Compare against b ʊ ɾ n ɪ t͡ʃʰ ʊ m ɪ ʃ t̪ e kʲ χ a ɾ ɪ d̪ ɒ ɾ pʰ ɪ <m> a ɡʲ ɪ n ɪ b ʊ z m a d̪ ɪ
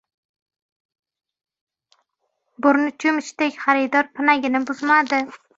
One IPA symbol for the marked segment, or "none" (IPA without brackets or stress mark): n